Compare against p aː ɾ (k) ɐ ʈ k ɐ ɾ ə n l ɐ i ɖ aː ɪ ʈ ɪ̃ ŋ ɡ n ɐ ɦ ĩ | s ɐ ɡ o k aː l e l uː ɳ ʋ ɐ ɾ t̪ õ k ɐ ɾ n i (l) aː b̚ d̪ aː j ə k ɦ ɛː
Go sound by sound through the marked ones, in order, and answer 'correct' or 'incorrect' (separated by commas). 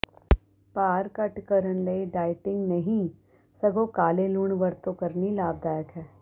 correct, correct